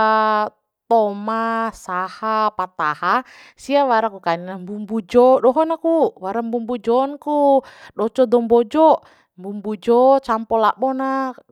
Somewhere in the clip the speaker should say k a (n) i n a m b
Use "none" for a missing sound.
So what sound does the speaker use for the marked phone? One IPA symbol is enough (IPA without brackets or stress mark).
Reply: n